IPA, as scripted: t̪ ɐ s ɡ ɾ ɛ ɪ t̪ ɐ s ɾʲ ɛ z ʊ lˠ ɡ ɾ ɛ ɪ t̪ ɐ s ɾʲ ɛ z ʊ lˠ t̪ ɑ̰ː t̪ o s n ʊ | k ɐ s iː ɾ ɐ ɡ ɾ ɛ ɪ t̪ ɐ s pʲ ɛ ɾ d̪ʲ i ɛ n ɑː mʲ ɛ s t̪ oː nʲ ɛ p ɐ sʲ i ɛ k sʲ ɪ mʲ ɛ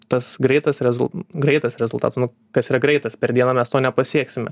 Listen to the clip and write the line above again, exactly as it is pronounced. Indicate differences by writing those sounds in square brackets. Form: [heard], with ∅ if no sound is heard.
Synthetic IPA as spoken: t̪ ɐ s ɡ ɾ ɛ ɪ t̪ ɐ s ɾʲ ɛ z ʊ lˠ ɡ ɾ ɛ ɪ t̪ ɐ s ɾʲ ɛ z ʊ lˠ t̪ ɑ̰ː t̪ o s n ʊ | k ɐ s iː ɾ ɐ ɡ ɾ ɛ ɪ t̪ ɐ s pʲ ɛ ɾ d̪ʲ i ɛ n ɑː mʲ ɛ s t̪ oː nʲ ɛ p ɐ sʲ i ɛ k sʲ ɪ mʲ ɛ